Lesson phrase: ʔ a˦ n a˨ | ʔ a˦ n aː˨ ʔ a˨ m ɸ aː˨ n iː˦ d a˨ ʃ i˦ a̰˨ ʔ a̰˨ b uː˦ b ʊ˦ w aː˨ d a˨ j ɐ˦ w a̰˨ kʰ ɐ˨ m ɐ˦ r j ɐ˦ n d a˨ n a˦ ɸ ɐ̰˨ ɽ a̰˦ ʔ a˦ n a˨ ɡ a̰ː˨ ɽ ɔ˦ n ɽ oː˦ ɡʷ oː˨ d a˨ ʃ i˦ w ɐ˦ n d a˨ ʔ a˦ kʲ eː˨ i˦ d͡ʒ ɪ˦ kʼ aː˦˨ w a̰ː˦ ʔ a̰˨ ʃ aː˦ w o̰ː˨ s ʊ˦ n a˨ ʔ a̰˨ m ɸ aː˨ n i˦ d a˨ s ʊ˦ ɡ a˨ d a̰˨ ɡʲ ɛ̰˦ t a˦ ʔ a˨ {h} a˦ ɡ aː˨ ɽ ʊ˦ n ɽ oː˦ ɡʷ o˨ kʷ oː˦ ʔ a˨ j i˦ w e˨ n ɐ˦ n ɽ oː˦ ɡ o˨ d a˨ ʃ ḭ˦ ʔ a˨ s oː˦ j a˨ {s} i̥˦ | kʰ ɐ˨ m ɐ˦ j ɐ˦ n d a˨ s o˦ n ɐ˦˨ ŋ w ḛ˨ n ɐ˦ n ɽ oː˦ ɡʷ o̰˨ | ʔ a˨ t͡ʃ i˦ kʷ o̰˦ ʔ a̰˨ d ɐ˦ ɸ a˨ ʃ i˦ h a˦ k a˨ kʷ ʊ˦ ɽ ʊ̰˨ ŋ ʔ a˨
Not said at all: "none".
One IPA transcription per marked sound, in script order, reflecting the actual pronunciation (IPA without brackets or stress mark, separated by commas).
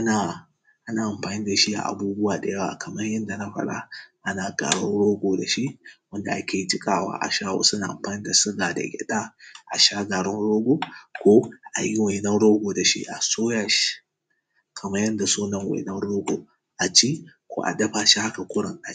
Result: ʃ, ʃ